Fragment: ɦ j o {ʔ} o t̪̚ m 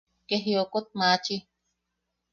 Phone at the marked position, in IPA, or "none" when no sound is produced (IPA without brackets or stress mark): k